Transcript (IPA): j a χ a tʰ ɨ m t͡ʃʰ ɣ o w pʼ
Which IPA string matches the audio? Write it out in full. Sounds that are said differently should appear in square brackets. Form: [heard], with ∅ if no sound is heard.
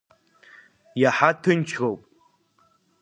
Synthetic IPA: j a [ħ] a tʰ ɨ [n] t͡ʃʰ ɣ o w pʼ